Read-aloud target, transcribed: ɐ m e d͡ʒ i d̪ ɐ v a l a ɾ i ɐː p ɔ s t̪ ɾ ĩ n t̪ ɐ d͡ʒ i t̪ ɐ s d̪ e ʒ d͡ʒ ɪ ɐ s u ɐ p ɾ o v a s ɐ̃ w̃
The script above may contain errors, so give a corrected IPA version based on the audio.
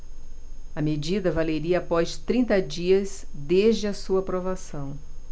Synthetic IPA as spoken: ɐ m e d͡ʒ i d̪ ɐ v a l e ɾ i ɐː p ɔ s t̪ ɾ ĩ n t̪ ɐ d͡ʒ i ɐ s d̪ e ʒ d͡ʒ ɪ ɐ s u ɐ p ɾ o v a s ɐ̃ w̃